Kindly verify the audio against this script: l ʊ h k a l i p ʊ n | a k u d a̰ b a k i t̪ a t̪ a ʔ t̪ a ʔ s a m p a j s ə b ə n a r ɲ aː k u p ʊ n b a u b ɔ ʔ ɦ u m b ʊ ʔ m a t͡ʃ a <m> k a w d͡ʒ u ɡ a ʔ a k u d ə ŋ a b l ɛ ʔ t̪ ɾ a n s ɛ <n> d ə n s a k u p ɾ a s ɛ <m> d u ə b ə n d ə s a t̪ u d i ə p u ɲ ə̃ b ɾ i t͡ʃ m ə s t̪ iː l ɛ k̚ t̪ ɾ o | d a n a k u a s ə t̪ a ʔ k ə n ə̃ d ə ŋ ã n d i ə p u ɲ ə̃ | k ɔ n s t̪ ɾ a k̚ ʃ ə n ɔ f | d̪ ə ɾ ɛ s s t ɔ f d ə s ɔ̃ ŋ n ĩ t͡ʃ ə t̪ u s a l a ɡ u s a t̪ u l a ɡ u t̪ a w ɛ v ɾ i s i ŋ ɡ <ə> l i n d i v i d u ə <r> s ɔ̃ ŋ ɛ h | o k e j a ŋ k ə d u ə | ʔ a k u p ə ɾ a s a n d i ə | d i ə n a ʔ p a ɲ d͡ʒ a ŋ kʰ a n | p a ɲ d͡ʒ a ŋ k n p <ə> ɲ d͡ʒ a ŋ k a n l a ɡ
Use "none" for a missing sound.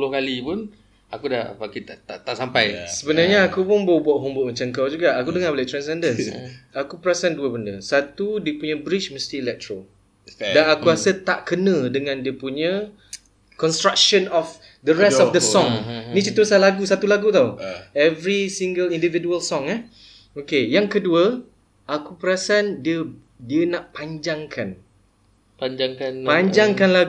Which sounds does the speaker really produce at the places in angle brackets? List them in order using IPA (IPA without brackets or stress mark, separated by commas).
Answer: ŋ, n, n, ə, l, a